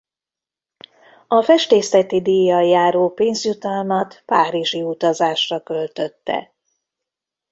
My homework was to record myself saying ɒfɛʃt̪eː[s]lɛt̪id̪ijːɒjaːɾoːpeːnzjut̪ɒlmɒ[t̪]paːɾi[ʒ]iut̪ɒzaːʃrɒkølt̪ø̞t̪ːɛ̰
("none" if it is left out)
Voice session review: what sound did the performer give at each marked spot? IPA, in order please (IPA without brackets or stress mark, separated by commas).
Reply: s, t̪, ʒ